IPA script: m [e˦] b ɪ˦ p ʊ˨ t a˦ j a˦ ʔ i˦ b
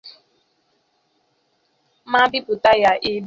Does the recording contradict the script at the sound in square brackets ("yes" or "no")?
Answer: yes